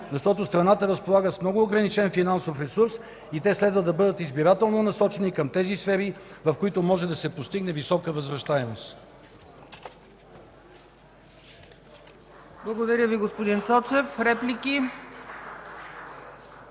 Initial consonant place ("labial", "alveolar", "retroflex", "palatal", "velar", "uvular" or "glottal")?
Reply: alveolar